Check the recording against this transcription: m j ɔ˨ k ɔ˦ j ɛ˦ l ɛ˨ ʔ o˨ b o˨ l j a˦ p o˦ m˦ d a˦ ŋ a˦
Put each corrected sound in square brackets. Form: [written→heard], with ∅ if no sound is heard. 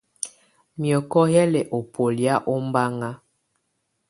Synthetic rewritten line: m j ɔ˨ k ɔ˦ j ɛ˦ l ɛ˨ ʔ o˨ [b→p] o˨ l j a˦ [p→ʔ] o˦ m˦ [d→b] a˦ ŋ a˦